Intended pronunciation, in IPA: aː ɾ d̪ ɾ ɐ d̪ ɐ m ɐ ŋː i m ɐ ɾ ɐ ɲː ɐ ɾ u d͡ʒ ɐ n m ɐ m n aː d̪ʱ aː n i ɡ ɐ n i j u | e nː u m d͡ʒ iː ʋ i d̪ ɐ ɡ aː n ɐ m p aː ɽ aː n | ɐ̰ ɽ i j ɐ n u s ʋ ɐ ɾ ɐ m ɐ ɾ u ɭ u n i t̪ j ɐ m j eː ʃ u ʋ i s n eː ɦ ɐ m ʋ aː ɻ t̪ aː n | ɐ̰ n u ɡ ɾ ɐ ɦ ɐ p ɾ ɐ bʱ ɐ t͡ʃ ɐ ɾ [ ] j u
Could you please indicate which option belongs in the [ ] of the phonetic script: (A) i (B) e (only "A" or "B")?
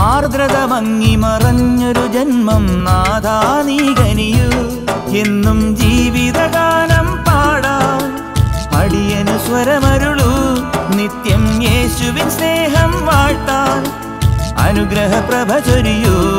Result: A